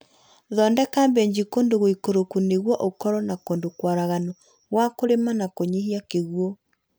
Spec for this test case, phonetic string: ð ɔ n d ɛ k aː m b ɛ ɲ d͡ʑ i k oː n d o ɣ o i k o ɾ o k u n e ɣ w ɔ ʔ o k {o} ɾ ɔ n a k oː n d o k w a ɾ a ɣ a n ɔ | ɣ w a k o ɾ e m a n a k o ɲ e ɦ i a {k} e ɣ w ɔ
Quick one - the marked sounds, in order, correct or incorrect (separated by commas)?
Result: incorrect, correct